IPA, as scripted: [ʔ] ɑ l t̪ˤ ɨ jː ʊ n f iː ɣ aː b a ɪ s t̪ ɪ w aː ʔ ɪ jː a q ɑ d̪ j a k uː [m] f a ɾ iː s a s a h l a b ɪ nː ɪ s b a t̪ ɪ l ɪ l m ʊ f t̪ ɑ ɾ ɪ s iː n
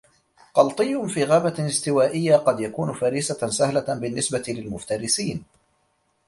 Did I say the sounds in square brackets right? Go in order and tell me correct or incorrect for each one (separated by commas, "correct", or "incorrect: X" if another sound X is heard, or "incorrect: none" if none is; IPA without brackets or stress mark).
incorrect: q, incorrect: n